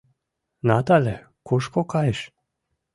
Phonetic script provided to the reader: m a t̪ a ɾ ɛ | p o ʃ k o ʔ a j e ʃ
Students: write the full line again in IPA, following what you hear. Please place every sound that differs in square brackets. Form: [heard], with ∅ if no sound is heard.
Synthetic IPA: [n] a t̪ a [l] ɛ | [k] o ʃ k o [k] a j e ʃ